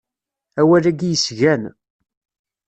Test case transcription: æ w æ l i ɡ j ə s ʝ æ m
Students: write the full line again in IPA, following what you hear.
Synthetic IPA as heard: æ w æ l æ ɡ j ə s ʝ æ n